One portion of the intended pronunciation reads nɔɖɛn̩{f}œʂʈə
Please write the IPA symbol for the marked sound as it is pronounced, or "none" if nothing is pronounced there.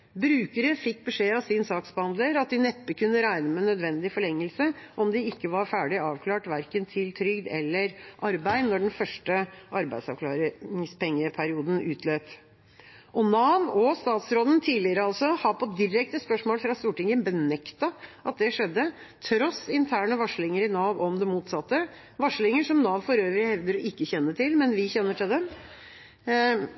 f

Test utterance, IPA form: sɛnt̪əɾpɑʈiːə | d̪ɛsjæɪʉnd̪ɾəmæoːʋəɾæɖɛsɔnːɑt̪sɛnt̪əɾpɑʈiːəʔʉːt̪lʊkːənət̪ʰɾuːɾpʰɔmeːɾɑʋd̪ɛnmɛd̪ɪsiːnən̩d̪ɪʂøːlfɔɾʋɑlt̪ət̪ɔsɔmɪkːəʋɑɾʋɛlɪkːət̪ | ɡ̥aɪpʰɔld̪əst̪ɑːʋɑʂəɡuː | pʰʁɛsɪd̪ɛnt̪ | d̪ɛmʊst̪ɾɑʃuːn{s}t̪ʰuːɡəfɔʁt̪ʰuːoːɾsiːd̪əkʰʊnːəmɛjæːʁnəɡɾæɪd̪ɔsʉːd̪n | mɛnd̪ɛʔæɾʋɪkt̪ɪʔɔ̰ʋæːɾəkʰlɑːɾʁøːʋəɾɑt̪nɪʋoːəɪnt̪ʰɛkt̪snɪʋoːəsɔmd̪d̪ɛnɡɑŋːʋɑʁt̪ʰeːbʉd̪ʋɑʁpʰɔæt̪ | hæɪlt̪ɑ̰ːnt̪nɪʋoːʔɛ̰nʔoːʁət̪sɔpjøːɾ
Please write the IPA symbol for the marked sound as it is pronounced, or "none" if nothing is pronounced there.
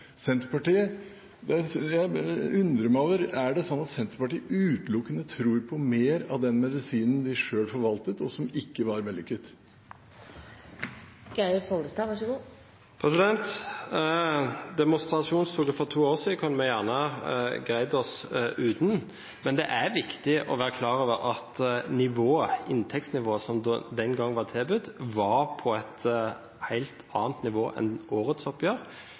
s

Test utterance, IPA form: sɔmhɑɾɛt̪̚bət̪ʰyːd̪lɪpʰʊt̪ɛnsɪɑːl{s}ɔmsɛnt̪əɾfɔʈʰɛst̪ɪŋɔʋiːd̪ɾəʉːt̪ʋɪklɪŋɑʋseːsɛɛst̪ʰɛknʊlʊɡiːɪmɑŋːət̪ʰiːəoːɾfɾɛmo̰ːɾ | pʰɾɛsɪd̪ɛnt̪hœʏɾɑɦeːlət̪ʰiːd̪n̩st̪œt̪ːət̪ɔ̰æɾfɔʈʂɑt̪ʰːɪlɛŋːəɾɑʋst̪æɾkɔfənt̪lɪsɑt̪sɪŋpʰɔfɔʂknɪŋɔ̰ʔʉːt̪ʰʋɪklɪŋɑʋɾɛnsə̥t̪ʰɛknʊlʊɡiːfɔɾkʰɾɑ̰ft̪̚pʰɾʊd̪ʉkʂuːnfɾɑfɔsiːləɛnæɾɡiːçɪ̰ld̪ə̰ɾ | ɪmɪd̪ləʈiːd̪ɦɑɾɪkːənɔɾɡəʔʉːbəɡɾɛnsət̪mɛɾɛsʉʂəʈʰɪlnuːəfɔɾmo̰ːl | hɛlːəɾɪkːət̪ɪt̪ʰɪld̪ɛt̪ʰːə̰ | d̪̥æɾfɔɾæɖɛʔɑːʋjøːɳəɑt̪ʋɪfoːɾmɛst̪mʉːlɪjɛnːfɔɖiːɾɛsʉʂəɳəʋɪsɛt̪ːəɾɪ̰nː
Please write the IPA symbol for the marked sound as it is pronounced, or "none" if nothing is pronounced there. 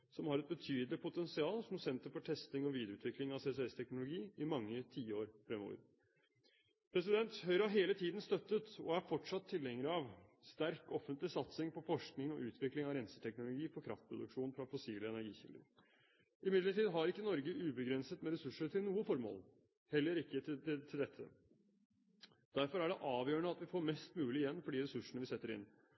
s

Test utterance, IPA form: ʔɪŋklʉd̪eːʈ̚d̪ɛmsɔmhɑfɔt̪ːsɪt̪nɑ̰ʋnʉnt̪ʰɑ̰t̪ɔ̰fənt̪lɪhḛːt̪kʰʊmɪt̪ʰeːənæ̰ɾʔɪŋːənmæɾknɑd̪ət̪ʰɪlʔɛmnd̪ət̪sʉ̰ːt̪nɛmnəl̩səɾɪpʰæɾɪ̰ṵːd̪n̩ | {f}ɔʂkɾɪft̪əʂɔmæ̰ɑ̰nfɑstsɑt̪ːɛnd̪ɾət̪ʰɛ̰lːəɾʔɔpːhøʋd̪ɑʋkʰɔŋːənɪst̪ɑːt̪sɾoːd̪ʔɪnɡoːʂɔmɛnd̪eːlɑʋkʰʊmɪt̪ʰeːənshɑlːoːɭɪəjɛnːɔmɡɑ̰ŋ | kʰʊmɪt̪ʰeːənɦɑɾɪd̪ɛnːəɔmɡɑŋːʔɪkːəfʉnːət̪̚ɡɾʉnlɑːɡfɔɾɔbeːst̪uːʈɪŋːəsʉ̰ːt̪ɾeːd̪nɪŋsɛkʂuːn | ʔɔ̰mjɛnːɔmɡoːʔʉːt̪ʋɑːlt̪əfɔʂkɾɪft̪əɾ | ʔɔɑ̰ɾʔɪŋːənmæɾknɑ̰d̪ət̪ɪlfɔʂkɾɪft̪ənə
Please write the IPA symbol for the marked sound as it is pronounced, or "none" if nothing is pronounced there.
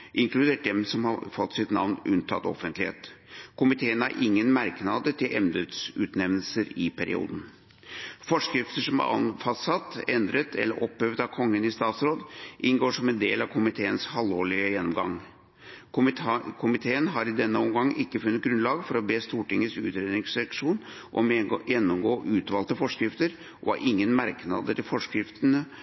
f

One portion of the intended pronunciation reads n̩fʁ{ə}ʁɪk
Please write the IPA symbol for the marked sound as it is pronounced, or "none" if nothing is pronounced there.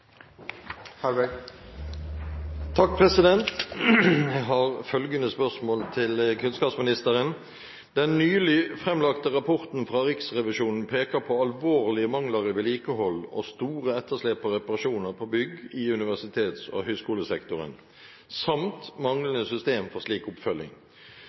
ɑ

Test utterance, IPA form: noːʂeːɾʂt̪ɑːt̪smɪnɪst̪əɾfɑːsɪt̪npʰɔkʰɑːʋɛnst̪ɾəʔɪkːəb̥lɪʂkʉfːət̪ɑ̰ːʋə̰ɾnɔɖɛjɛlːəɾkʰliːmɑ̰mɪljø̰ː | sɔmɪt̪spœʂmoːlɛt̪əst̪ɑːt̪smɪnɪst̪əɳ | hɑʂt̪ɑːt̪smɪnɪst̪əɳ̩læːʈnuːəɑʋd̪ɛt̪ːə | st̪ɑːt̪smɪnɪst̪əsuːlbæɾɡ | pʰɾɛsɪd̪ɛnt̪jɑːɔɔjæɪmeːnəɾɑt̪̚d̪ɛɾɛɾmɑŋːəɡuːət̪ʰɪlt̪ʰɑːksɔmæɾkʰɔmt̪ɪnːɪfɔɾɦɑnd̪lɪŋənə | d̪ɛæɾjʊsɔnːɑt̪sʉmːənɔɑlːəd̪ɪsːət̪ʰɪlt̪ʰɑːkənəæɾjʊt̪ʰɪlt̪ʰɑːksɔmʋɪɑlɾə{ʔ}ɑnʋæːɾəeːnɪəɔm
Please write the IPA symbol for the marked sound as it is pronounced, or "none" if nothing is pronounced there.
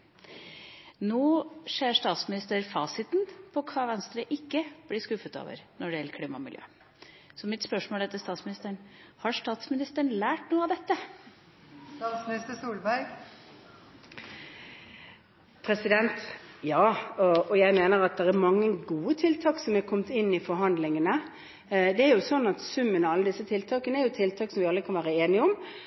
k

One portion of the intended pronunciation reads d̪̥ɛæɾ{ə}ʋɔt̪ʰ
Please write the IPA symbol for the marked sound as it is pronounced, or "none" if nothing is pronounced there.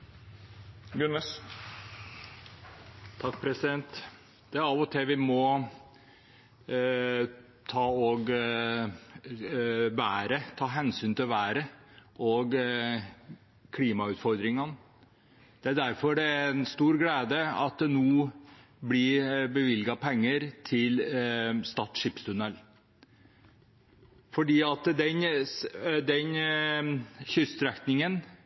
ɑ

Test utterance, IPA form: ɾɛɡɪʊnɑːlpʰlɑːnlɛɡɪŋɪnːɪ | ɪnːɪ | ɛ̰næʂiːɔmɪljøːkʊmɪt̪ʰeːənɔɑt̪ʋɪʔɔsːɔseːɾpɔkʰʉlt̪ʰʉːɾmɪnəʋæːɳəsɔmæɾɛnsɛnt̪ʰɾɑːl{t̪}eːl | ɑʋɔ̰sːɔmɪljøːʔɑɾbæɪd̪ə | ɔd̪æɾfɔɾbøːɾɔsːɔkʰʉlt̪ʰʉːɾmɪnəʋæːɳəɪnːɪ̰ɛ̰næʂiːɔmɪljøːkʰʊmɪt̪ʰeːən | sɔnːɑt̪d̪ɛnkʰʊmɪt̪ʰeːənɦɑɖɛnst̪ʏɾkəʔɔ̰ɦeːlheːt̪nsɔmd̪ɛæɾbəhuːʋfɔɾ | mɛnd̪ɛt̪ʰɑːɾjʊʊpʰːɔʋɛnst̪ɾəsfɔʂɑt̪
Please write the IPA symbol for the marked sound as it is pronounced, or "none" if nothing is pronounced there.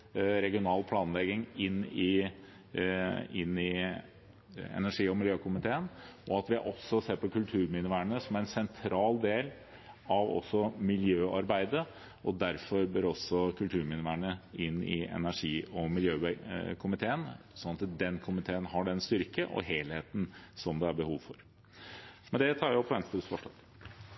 d̪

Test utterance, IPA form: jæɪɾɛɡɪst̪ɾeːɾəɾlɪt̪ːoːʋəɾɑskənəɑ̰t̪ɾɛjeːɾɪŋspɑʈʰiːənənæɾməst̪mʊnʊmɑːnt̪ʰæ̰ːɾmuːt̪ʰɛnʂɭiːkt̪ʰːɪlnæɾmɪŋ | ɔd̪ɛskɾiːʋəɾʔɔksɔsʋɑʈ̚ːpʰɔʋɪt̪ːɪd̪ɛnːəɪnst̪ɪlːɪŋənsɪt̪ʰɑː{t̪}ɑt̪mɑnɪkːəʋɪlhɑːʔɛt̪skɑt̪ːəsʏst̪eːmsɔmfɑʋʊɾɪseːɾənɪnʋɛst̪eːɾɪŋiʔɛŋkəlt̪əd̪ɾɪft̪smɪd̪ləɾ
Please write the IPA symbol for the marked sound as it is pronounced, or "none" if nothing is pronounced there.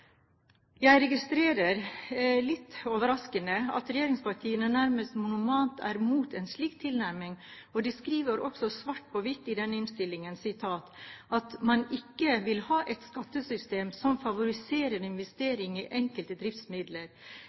t̪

